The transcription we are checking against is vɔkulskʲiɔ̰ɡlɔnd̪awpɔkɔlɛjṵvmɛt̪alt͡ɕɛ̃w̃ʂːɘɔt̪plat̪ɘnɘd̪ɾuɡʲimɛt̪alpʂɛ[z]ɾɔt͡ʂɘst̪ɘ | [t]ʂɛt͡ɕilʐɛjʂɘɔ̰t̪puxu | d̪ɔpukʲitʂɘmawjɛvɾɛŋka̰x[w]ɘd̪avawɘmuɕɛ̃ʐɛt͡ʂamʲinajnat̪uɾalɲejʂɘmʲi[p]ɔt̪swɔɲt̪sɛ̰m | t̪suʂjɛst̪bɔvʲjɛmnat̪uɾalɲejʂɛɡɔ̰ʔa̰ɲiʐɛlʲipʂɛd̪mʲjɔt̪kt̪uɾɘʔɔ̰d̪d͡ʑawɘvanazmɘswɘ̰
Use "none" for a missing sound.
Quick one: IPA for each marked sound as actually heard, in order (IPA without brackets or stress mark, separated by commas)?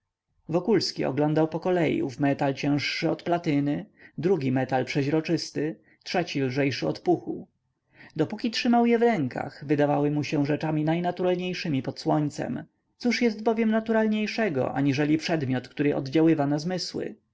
ʑ, t, v, p